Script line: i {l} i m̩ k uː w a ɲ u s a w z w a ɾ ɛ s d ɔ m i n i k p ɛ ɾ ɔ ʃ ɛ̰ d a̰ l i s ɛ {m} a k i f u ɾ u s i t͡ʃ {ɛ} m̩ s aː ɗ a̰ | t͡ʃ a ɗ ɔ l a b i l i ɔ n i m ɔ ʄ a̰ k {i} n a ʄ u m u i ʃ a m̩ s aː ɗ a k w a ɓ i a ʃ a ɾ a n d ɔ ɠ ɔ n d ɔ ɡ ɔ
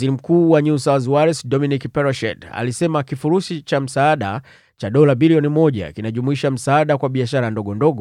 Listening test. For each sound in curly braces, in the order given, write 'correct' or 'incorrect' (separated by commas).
incorrect, correct, incorrect, correct